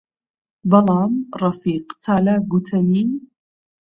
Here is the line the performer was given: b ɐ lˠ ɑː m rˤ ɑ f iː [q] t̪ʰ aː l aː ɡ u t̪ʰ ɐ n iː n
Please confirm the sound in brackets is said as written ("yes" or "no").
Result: yes